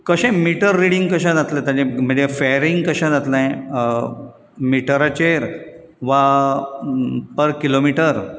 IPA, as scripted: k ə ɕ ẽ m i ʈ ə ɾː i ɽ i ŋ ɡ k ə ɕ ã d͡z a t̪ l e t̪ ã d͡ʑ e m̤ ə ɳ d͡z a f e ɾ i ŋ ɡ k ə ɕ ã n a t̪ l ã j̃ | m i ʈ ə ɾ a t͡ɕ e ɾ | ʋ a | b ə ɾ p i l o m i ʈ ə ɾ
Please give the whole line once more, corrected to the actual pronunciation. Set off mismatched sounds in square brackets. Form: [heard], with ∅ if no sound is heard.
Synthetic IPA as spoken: k ə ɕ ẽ m i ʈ ə ɾː i ɽ i ŋ ɡ k ə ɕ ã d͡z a t̪ l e t̪ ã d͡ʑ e m̤ ə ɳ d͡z [e] f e ɾ i ŋ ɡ k ə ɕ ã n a t̪ l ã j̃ | m i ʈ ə ɾ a t͡ɕ e ɾ | ʋ a | [p] ə ɾ [k] i l o m i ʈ ə ɾ